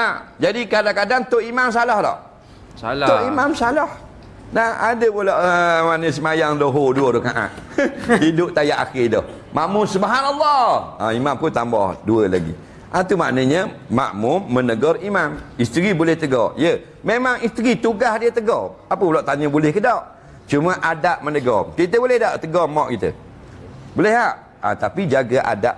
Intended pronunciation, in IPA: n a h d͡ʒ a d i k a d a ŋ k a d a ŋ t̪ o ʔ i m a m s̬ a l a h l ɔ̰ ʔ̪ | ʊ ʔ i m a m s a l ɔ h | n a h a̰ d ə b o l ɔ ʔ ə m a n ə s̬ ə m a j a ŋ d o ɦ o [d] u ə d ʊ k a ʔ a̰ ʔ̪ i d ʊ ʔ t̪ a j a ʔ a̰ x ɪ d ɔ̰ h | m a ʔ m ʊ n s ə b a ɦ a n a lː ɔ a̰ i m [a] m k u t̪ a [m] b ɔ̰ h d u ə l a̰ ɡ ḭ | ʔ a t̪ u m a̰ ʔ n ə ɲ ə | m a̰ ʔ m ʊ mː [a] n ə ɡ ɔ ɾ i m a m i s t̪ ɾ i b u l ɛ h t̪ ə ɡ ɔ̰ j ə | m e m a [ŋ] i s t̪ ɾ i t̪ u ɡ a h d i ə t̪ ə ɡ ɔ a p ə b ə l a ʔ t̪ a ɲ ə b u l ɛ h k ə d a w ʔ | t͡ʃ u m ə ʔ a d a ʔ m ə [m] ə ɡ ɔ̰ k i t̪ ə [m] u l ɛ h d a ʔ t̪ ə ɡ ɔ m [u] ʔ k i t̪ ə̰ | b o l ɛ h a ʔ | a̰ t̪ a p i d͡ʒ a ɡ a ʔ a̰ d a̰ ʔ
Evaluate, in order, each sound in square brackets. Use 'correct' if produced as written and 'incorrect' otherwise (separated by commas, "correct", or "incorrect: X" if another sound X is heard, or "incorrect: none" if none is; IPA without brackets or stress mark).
correct, correct, correct, incorrect: ə, correct, incorrect: n, incorrect: b, incorrect: ɔ